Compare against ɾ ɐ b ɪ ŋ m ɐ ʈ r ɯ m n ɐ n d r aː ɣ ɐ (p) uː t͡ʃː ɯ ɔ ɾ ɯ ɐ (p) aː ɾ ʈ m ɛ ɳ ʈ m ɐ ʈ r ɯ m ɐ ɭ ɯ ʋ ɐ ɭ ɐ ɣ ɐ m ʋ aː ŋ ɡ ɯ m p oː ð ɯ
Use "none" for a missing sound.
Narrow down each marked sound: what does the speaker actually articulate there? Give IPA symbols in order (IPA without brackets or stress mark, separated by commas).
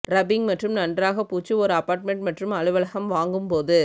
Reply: p, p